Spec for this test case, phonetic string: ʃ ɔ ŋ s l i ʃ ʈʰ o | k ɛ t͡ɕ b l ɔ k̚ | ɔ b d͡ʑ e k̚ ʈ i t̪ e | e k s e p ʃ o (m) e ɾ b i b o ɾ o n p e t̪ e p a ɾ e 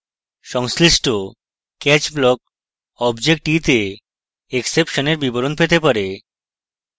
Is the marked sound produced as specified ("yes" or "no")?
no